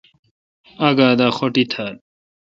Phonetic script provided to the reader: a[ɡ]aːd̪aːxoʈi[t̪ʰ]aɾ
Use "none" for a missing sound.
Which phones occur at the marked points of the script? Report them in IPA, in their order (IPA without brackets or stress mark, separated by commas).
ɡ, t̪ʰ